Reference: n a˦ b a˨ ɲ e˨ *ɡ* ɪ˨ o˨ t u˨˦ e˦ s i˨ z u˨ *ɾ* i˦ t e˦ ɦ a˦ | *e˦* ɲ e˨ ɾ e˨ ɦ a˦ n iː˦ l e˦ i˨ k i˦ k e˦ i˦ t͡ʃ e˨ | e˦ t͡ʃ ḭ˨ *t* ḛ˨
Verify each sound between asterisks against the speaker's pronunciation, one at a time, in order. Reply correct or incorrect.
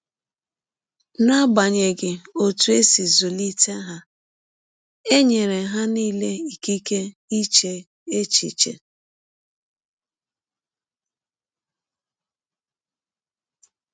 correct, incorrect, correct, incorrect

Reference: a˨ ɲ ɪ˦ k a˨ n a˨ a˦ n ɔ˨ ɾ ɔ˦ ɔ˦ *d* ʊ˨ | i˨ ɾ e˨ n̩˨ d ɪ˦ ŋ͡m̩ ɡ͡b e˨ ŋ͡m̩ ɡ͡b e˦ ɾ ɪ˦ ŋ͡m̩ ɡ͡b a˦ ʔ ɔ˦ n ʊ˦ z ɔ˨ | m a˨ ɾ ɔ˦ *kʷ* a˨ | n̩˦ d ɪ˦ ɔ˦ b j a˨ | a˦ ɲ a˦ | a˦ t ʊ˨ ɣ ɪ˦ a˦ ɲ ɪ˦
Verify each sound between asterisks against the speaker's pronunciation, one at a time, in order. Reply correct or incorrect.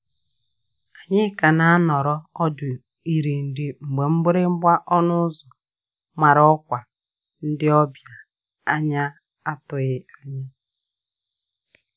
correct, correct

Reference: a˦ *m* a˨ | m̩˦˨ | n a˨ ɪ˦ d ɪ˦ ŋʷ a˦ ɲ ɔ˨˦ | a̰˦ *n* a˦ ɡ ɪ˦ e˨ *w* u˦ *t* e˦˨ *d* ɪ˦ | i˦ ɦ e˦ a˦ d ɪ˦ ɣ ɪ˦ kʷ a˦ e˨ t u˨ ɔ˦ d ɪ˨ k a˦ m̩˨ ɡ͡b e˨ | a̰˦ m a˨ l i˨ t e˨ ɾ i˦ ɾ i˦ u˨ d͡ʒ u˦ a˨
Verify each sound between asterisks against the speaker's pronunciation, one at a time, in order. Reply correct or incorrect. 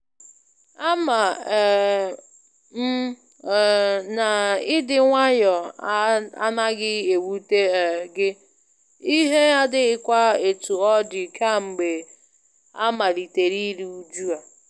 correct, correct, correct, correct, incorrect

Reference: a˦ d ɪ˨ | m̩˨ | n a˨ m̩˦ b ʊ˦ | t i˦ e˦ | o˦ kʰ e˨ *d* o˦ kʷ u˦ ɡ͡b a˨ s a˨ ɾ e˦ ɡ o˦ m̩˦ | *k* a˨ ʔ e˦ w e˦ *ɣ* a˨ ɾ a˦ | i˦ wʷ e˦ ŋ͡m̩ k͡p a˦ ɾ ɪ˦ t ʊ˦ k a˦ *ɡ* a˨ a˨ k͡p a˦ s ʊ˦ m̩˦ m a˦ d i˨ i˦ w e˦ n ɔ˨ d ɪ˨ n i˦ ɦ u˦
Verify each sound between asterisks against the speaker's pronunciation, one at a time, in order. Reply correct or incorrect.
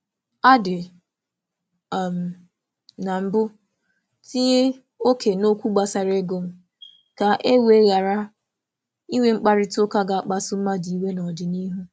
incorrect, correct, correct, correct

